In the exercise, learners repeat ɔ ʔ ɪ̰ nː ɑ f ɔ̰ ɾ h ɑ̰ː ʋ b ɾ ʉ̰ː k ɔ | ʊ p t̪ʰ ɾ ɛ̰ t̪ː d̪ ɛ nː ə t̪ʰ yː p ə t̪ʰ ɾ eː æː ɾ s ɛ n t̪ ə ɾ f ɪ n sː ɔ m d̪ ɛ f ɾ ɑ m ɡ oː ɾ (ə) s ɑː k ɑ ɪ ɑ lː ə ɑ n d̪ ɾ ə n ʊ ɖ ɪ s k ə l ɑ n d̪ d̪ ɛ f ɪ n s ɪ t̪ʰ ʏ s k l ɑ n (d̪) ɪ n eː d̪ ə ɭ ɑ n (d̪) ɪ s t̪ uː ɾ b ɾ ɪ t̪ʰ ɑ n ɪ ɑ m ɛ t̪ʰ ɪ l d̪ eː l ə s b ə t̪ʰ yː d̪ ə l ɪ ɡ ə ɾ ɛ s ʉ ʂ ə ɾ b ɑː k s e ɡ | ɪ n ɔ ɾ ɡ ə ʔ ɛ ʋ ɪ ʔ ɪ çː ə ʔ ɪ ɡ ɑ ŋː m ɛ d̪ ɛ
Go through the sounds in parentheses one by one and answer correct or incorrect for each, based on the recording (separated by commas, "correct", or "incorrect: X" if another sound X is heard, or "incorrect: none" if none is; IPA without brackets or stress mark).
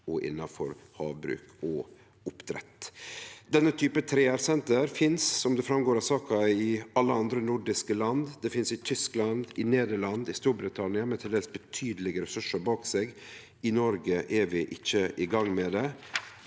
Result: incorrect: ɑ, correct, correct